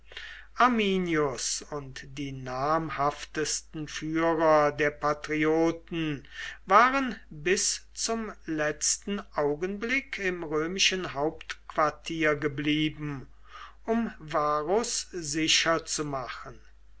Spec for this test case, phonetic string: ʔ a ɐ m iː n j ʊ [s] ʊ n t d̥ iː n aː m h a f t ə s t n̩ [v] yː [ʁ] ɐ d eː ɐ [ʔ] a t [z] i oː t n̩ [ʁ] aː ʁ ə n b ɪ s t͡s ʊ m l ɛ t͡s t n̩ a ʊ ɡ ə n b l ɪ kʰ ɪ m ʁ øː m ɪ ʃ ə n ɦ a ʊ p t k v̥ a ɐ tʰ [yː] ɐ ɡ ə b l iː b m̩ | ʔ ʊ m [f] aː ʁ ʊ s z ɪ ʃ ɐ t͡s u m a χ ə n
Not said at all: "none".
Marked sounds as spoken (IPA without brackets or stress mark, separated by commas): s, f, ʁ, p, ʁ, v, iː, v